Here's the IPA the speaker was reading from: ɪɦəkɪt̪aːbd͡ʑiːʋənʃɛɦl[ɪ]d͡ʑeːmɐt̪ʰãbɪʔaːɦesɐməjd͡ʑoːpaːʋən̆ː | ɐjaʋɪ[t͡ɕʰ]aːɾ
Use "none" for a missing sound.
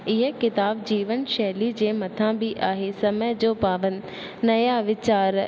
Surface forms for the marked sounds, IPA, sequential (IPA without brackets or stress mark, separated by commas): i, t͡ɕ